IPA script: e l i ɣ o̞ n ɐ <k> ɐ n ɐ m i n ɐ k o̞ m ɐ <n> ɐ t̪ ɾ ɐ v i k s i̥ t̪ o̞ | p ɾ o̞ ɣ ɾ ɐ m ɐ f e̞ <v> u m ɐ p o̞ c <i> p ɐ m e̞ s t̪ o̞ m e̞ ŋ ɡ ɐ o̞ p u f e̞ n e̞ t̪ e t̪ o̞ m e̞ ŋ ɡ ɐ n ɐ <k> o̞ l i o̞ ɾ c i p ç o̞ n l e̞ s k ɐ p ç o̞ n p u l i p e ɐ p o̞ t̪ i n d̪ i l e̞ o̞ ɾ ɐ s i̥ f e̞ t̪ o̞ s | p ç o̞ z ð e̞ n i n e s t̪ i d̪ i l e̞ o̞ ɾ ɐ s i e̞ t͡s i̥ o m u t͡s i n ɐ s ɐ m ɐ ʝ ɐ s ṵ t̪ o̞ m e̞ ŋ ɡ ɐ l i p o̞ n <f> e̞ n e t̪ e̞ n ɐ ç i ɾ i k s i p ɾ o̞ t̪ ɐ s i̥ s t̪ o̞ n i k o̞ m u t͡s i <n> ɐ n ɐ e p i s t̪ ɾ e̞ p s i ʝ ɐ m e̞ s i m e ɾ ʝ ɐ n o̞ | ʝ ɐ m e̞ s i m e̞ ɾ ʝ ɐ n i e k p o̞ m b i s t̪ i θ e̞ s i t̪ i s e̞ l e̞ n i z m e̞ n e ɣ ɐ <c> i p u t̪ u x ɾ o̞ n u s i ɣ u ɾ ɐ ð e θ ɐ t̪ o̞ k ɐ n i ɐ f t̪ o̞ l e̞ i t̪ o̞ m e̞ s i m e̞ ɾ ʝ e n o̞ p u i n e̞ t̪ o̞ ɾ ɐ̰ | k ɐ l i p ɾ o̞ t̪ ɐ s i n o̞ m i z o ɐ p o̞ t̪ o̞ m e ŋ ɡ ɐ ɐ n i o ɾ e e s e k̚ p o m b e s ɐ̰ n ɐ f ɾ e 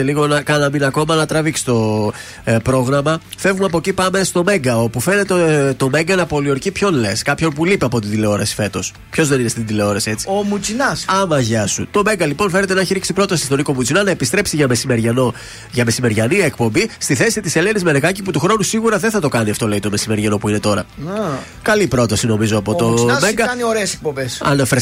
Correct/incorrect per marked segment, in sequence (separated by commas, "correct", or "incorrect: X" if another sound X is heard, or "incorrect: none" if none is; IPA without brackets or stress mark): correct, correct, correct, correct, incorrect: p, correct, correct, correct